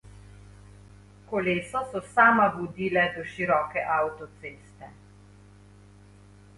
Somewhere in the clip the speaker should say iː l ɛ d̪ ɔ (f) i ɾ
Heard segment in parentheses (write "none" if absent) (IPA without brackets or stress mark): ʃ